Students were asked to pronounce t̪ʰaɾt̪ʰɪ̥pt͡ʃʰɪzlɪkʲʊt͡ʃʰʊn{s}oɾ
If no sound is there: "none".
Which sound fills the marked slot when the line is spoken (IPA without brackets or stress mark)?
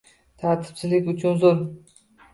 z